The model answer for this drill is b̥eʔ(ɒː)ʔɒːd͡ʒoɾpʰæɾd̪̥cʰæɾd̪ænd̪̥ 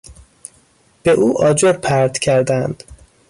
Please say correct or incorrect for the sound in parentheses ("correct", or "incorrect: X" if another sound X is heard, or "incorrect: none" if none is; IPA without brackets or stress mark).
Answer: incorrect: uː